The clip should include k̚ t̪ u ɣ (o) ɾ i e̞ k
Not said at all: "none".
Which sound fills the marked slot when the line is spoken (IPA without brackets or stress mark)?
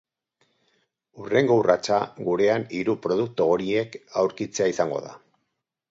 o